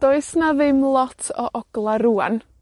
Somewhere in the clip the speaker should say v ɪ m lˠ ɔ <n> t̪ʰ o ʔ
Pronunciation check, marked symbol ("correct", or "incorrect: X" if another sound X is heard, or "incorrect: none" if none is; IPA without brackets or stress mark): incorrect: none